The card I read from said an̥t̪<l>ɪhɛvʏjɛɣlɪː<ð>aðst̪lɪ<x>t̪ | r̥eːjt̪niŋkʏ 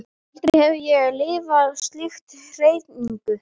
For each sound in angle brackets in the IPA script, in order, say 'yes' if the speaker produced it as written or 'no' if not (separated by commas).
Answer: no, no, yes